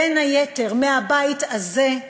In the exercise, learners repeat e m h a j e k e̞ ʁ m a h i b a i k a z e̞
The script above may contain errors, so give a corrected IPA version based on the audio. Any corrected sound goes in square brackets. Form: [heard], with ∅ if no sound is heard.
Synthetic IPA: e [n] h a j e [t] e̞ ʁ m [e] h [a] b a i [t] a z e̞